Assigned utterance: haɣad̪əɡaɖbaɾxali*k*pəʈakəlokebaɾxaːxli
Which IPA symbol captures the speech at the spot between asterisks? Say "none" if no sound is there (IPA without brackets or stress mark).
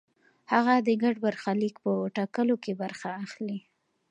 k